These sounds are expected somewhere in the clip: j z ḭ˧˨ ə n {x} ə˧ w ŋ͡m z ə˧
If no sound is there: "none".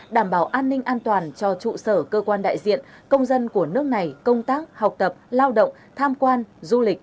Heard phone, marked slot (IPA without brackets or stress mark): k